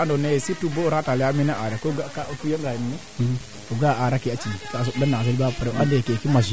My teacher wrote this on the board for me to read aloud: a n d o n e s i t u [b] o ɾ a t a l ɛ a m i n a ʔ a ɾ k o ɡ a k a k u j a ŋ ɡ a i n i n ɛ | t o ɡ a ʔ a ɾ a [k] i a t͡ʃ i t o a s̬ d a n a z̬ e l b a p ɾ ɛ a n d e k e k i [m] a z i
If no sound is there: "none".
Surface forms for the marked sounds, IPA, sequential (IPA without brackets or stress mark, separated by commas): b, k, m